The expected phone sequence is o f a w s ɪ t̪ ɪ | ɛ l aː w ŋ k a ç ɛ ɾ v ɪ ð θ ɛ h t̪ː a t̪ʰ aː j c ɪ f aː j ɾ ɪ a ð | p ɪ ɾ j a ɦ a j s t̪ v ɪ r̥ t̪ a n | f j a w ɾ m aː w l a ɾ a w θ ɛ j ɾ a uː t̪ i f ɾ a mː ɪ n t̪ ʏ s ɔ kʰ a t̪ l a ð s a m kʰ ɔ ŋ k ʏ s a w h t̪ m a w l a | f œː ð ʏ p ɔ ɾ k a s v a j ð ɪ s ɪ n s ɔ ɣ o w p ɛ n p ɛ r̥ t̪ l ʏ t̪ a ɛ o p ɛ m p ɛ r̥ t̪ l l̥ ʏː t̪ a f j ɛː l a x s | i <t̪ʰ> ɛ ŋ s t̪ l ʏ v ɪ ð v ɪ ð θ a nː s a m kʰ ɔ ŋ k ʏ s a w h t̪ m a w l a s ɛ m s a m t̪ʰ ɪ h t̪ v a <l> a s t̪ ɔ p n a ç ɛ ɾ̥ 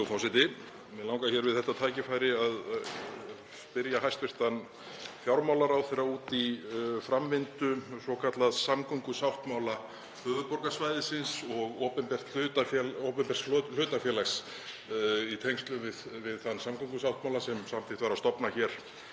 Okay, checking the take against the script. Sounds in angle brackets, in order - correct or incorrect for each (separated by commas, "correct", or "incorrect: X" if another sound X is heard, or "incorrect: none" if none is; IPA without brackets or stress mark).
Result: correct, incorrect: ɾ